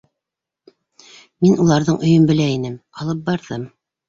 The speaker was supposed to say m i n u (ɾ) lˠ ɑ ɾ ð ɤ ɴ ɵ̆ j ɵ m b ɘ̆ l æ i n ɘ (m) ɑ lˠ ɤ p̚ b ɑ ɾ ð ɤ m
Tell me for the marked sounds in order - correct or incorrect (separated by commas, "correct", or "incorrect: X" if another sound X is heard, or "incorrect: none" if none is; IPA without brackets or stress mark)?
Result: incorrect: none, correct